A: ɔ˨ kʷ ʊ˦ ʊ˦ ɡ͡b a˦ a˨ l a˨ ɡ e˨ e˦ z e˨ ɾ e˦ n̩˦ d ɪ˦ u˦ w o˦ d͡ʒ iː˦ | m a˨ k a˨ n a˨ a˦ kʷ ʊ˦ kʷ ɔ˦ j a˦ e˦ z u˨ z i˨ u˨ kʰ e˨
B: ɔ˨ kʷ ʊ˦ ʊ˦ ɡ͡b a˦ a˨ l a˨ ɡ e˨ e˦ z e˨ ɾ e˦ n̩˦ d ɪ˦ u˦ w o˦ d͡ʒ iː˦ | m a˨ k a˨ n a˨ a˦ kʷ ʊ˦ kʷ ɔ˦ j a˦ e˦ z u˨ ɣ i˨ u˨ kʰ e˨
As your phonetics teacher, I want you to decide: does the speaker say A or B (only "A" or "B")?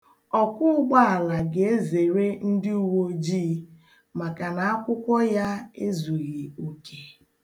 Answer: B